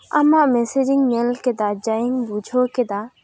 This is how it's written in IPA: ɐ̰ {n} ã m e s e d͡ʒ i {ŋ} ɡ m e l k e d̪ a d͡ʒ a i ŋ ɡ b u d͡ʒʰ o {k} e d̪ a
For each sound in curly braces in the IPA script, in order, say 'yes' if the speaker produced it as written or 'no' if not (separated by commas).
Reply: no, yes, yes